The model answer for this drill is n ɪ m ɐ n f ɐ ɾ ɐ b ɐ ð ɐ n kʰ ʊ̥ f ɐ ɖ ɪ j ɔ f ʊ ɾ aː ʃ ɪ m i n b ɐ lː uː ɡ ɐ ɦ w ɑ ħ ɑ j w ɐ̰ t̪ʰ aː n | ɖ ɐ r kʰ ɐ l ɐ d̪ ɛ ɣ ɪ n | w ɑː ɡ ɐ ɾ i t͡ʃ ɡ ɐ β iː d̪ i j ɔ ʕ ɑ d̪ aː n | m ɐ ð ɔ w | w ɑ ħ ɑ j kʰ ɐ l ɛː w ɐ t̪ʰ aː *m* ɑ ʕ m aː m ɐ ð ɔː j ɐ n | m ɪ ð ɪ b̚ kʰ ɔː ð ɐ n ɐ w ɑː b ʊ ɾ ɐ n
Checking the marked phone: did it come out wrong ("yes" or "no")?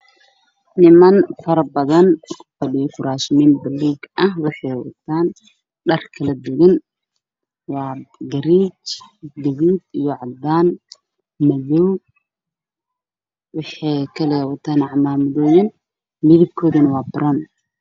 yes